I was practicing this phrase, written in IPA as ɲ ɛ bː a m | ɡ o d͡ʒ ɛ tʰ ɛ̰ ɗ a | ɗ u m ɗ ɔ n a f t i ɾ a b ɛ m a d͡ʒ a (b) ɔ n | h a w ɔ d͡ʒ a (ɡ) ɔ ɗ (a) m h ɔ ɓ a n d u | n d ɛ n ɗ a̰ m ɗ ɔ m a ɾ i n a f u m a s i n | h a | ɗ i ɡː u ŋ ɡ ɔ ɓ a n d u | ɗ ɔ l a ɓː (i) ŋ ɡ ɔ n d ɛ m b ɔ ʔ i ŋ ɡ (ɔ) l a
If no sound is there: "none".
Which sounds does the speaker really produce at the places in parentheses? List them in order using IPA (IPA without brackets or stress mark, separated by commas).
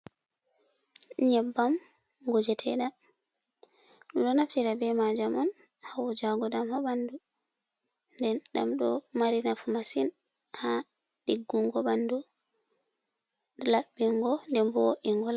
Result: m, ɡ, a, i, ɔ